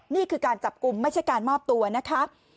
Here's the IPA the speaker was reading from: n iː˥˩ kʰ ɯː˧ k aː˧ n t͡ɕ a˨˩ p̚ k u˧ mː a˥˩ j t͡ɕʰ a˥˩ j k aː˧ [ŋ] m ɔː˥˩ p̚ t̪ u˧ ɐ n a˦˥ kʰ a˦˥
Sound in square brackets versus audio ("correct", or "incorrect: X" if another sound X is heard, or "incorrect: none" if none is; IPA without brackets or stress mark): incorrect: n